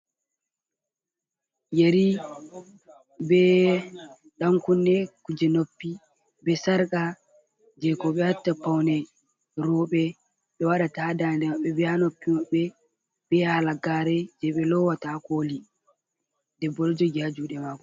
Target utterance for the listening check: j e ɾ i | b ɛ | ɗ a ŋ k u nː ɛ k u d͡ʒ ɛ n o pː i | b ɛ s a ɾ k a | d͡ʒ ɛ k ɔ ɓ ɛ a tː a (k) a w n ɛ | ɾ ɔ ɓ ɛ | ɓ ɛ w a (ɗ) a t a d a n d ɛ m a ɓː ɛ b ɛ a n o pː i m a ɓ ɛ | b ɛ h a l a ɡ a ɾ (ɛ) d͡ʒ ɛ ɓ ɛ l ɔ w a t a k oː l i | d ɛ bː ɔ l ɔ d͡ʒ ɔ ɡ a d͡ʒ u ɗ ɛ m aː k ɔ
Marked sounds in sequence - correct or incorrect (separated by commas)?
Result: incorrect, correct, correct